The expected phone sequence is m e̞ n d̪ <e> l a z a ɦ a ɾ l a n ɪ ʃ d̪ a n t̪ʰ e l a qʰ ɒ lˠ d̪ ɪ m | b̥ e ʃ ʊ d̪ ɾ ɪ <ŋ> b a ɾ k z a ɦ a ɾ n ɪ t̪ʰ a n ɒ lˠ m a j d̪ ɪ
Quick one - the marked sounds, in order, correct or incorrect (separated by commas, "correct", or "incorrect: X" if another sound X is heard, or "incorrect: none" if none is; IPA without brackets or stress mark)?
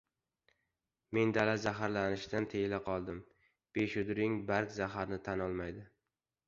incorrect: a, correct